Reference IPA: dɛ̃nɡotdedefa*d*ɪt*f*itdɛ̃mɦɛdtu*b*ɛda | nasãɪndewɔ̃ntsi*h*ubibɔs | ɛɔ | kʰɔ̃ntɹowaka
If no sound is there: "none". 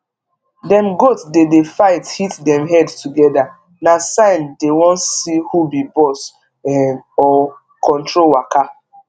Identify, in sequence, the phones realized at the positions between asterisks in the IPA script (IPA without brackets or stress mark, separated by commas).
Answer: none, h, ɡ, h